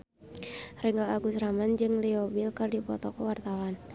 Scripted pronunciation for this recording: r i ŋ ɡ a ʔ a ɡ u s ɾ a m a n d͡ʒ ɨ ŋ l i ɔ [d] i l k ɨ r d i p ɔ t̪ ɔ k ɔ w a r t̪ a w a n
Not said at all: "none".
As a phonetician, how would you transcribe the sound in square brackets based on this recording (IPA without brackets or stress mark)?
b